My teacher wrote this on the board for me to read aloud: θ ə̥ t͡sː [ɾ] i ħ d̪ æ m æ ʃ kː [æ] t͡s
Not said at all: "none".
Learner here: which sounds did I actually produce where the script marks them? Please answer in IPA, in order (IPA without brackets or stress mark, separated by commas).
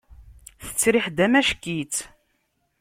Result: ɾ, i